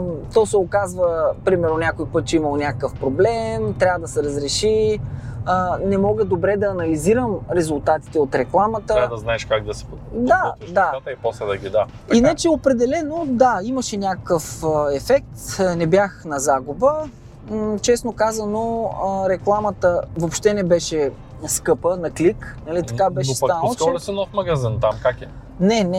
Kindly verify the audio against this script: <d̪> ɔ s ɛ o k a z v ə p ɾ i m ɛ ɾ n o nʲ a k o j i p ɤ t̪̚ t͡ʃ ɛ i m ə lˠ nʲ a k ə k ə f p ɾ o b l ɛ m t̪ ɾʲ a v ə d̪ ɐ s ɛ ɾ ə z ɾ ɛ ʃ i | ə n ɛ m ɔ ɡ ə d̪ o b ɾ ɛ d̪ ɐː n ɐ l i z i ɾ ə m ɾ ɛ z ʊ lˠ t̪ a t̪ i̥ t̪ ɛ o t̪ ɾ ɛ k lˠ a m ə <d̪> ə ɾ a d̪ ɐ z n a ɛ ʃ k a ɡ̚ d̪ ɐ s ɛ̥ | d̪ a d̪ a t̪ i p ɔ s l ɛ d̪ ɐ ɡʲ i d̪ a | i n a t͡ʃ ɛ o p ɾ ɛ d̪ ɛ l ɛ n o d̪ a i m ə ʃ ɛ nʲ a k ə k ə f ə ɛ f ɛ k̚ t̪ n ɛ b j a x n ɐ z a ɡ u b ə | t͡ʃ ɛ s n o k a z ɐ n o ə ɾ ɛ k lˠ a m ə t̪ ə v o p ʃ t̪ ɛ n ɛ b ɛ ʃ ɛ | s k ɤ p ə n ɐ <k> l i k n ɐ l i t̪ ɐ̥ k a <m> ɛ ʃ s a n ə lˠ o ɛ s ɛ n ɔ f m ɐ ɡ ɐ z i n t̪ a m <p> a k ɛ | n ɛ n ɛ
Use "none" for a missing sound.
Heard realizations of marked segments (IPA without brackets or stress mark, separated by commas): t̪, t̪, k, b, k